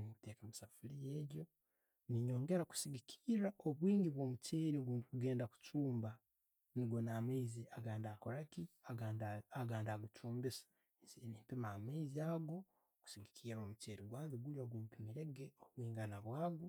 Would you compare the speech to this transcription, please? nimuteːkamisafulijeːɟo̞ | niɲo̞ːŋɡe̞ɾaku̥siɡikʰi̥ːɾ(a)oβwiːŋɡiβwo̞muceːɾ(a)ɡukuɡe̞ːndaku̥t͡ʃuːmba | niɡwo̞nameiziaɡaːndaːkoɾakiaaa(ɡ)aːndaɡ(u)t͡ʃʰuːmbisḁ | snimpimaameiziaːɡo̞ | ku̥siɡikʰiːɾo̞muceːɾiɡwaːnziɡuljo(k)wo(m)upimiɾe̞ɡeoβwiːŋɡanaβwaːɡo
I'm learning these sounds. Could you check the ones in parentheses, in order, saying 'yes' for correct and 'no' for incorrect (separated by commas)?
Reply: yes, no, yes, yes, no, yes